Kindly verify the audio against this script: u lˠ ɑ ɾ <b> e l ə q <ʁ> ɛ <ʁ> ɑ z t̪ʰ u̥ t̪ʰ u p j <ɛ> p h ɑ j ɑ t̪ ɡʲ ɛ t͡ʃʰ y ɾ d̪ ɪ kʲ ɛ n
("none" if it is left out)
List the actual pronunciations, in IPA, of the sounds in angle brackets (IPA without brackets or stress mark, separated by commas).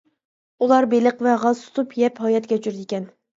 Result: b, v, ʁ, ɛ